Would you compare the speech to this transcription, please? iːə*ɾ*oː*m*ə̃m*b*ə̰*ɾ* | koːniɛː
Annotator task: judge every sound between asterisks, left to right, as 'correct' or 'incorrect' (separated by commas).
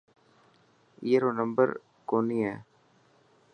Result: correct, incorrect, correct, correct